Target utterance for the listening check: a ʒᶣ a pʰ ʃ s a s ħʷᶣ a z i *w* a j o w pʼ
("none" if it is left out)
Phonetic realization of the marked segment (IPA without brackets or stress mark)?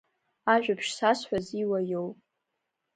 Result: w